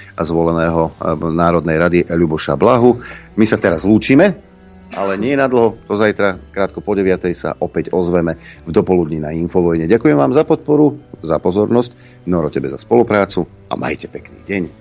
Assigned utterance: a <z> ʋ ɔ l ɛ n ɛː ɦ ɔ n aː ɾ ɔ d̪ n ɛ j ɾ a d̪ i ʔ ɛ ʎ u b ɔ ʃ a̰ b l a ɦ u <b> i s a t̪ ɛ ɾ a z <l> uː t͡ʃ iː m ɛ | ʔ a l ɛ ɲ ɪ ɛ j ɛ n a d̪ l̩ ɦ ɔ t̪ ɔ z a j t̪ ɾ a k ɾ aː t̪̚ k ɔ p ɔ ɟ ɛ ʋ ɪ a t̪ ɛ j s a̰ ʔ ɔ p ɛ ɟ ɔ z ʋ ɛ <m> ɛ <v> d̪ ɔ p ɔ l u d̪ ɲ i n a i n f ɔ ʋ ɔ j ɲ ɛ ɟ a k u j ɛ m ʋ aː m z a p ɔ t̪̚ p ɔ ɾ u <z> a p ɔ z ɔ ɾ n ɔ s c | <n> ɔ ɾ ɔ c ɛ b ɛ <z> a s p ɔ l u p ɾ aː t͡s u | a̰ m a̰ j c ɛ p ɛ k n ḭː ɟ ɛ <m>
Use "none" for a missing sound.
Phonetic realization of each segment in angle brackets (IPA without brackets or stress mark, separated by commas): z, m, l, m, v, z, n, z, ɲ